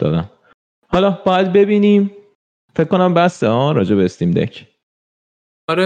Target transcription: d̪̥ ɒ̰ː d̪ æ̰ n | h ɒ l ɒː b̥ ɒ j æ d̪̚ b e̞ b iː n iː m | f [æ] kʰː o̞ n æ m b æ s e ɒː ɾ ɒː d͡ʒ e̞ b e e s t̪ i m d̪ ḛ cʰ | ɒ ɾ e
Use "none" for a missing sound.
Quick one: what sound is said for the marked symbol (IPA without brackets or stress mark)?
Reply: e